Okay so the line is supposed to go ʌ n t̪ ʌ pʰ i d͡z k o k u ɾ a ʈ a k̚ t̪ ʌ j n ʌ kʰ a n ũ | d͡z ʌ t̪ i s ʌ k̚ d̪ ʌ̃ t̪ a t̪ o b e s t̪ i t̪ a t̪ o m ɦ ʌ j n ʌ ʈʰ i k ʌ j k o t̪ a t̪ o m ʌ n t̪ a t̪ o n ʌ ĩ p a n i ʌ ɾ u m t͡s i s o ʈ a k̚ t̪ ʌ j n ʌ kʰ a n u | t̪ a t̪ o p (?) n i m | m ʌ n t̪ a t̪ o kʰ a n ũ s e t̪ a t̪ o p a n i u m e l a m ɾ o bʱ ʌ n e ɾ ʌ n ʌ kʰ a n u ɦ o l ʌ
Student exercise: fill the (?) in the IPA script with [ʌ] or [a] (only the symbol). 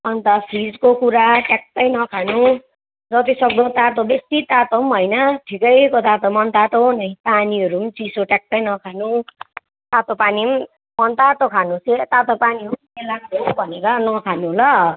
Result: a